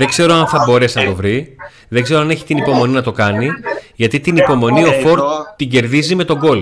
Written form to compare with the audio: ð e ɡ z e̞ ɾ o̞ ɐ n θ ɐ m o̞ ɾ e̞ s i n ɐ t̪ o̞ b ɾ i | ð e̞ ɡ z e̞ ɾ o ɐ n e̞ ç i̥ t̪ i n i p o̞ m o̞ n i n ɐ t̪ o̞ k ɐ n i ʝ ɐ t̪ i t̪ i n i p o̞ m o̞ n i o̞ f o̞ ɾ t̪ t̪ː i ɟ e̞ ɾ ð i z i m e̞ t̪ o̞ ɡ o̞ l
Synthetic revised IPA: ð e ɡ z e̞ ɾ o̞ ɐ n θ ɐ b o̞ ɾ e̞ s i n ɐ t̪ o̞ v ɾ i | ð e̞ ɡ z e̞ ɾ o ɐ n e̞ ç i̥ t̪ i n i p o̞ m o̞ n i n ɐ t̪ o̞ k ɐ n i ʝ ɐ t̪ i t̪ i n i p o̞ m o̞ n i o̞ f o̞ ɾ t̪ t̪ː i ɟ e̞ ɾ ð i z i m e̞ t̪ o̞ ɡ o̞ l